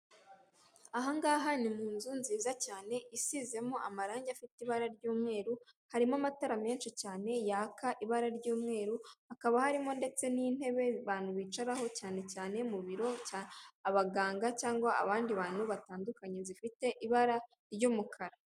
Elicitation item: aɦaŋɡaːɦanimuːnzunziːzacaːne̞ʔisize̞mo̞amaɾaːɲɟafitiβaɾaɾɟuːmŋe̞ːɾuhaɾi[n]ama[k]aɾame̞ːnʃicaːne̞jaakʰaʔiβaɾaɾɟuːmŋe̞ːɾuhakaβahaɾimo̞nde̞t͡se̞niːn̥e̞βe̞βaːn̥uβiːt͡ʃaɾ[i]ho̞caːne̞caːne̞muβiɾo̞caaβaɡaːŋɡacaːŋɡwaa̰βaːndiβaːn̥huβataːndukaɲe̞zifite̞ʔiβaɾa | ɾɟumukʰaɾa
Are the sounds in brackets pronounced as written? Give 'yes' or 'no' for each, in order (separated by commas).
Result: no, no, no